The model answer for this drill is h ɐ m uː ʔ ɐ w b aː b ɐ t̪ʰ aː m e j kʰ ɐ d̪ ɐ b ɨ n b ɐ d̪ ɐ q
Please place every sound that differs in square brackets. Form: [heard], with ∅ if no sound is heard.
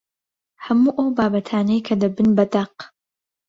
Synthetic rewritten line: h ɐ m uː ʔ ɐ w b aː b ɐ t̪ʰ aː [n] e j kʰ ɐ d̪ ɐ b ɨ n b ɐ d̪ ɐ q